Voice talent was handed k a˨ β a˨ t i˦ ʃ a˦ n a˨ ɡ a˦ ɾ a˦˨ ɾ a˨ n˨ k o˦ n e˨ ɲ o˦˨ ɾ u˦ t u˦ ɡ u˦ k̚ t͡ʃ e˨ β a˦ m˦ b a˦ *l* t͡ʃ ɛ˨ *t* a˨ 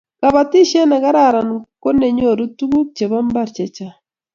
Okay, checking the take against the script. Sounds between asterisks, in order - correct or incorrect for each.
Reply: incorrect: ɾ, incorrect: t͡ʃ

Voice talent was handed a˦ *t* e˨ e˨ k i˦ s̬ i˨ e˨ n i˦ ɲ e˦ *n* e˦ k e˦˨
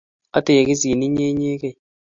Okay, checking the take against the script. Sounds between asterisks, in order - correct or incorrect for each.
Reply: correct, incorrect: ɲ

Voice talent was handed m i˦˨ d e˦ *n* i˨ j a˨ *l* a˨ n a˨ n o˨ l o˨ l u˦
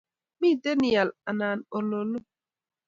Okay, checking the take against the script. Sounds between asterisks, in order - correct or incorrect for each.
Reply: correct, correct

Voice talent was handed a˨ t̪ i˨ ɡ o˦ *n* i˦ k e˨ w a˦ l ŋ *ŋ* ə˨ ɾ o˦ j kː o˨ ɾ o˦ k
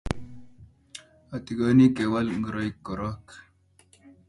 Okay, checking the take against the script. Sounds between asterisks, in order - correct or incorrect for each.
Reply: correct, incorrect: ɡ

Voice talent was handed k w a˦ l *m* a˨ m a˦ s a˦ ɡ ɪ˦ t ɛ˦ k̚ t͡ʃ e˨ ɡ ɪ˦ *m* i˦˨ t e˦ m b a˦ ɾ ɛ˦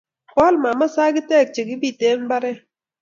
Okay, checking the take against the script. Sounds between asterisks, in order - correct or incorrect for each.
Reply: correct, incorrect: b

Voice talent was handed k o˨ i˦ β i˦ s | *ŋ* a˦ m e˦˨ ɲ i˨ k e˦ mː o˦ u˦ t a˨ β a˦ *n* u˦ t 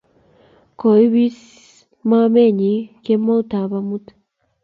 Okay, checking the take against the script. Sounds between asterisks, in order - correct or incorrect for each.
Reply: incorrect: m, incorrect: m

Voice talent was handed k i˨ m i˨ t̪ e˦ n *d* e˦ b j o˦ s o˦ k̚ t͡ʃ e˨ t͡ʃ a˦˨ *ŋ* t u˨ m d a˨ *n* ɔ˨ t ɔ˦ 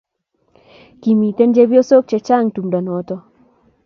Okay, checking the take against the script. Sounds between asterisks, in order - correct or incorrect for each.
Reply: incorrect: d͡ʒ, correct, correct

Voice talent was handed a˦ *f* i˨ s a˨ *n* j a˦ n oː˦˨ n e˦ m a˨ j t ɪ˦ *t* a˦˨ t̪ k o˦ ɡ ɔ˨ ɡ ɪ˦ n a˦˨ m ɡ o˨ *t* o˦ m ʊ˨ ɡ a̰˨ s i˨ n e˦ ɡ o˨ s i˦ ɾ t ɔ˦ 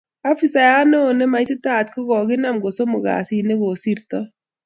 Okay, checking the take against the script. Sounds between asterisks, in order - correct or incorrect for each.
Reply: correct, incorrect: none, correct, incorrect: s

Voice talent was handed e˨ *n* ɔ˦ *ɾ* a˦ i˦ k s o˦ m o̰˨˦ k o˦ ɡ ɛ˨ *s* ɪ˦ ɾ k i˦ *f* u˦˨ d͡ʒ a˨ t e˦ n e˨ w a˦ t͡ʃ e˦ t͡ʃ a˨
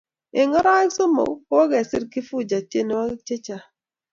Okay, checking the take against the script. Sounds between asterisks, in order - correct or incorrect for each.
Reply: incorrect: ŋ, correct, correct, correct

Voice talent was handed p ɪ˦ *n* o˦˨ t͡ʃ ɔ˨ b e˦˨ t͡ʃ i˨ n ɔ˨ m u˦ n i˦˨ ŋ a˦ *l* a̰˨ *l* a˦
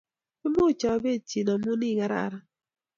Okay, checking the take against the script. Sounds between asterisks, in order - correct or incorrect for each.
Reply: incorrect: m, incorrect: ɾ, incorrect: ɾ

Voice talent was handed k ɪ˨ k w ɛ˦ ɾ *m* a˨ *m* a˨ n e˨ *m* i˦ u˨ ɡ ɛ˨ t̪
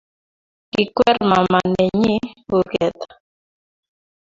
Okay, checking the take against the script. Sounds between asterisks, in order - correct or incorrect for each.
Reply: correct, correct, incorrect: ɲ

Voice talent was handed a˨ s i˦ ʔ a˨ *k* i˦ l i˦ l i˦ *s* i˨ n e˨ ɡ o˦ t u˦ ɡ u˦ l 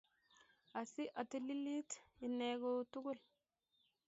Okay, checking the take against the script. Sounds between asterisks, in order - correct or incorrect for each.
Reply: incorrect: t, incorrect: t

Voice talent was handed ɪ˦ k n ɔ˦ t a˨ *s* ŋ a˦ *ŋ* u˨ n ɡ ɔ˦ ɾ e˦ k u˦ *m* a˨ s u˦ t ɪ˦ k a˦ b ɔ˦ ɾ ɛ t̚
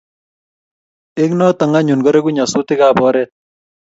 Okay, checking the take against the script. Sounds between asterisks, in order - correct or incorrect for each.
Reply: incorrect: none, incorrect: ɲ, incorrect: ɲ

